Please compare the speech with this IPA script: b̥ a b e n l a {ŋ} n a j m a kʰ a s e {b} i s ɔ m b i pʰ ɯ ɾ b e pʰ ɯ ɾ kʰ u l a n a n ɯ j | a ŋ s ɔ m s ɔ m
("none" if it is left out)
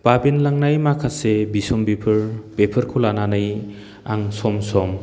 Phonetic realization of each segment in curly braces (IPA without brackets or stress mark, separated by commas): ŋ, b